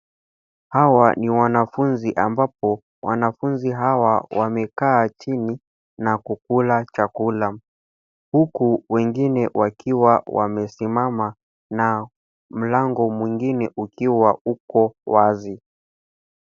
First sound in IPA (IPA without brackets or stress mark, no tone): h